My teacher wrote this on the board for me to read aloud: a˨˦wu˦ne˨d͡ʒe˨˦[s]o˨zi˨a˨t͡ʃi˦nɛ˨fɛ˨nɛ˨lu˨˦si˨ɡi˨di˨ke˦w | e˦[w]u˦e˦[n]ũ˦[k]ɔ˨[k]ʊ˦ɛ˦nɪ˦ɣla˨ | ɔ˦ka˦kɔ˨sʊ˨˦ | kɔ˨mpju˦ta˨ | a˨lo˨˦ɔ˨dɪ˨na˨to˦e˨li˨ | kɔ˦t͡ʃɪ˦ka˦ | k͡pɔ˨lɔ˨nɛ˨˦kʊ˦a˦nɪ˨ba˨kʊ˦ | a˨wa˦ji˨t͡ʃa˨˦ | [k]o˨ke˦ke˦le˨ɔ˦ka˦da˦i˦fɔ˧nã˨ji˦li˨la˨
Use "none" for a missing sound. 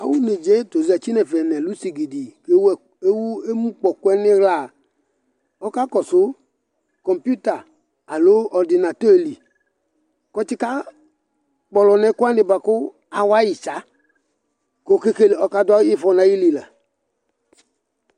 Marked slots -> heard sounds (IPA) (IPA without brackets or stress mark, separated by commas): t, w, m, k͡p, k, k